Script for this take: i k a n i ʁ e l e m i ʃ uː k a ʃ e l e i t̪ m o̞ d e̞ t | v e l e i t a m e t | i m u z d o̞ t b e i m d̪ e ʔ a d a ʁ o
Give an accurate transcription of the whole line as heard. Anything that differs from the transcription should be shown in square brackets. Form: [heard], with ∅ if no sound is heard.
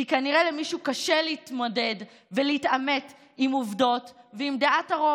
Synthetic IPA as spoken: i k a n i ʁ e l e m i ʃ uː k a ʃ e l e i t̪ m o̞ d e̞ [d] | v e l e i t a m e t | i m u [v] d o̞ t [v] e i m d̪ e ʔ a [t] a ʁ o